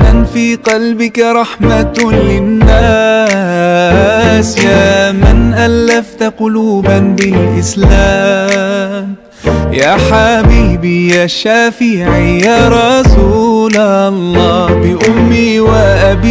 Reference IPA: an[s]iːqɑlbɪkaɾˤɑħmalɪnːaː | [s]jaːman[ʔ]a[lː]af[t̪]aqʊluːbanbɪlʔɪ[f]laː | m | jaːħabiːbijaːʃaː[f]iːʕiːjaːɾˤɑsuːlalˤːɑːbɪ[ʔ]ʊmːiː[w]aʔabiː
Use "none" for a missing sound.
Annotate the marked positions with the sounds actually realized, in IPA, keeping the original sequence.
f, s, ʔ, lː, t̪, s, f, ʔ, w

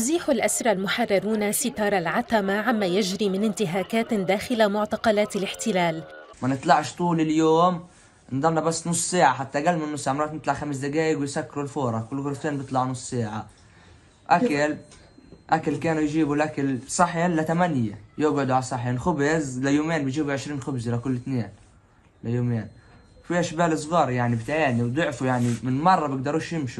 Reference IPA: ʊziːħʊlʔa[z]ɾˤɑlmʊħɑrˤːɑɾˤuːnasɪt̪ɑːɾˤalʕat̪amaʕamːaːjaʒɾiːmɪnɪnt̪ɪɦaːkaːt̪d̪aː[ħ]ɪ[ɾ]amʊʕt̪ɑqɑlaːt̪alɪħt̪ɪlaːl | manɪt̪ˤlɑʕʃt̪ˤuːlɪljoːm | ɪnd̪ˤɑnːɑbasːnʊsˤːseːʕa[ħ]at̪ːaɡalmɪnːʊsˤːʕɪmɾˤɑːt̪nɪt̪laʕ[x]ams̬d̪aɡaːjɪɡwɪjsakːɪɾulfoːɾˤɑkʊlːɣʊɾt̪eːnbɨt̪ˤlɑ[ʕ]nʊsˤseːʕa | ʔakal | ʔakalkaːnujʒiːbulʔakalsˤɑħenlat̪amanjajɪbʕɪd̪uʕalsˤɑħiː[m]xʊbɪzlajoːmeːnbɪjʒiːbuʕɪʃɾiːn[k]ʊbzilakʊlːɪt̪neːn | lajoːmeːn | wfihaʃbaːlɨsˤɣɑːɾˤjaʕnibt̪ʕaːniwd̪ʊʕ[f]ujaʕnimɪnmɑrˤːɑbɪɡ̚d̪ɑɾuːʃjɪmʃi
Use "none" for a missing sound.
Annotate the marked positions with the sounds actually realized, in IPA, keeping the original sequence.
s, x, l, ħ, x, ʕ, n, x, f

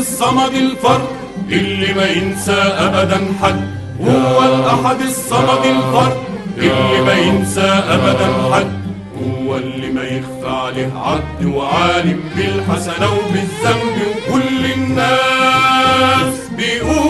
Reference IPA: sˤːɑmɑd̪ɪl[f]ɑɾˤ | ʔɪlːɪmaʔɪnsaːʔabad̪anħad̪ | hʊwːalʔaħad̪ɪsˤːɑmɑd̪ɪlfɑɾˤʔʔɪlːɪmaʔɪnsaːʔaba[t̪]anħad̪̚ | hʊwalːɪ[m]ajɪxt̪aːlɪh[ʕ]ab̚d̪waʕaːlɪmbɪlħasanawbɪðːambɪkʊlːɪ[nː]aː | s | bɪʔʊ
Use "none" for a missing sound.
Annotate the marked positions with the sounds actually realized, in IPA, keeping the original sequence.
f, d̪, m, ʕ, nː

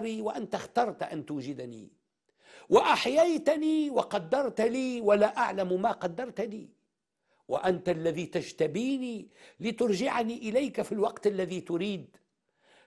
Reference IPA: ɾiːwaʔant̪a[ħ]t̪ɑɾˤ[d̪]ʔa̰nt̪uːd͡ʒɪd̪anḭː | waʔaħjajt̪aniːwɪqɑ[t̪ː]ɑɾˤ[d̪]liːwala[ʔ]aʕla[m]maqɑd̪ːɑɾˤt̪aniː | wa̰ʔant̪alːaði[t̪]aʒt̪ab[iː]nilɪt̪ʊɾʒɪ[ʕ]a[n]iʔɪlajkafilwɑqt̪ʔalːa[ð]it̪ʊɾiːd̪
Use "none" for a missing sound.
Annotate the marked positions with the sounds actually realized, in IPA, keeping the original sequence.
x, t̪, d̪ː, t̪, ʔ, m, t̪, iː, ʕ, n, ð

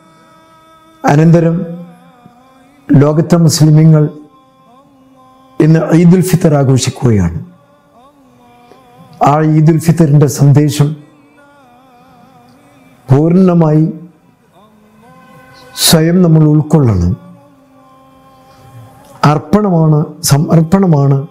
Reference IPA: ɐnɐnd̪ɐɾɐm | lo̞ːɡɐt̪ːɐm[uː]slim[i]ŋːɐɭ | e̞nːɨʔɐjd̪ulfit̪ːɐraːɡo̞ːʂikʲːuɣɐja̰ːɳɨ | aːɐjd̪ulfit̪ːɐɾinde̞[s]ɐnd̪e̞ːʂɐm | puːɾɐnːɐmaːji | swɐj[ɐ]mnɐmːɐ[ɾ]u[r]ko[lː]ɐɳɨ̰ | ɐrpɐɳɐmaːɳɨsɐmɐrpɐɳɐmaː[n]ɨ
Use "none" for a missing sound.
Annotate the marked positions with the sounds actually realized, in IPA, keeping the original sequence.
u, i, s, ɐ, ɭ, ɭ, ɭː, ɳ

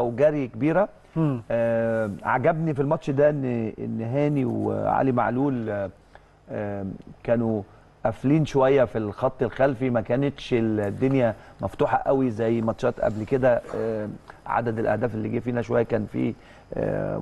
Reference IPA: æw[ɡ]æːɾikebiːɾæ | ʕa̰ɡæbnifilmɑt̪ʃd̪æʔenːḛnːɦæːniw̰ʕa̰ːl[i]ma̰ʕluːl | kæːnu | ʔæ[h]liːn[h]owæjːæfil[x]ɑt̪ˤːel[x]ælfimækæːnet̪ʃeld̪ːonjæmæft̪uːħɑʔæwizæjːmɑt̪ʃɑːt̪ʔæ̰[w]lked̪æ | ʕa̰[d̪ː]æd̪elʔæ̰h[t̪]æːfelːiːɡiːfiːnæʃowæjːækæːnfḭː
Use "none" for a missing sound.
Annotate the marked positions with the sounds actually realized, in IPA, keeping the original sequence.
ɡ, i, f, ʃ, x, x, b, d̪, d̪

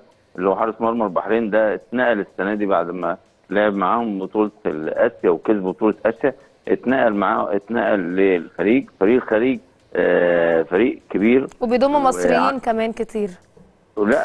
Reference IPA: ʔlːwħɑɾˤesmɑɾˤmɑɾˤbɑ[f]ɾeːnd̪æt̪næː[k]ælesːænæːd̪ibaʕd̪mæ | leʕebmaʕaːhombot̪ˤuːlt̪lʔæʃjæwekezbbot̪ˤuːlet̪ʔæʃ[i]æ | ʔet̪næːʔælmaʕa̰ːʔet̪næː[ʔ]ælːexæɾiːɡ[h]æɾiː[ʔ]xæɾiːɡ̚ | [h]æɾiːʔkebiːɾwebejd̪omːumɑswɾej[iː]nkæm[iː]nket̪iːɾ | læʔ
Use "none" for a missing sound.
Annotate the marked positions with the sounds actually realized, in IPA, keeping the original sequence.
ħ, ʔ, j, ʔ, f, ʔ, f, iː, æː

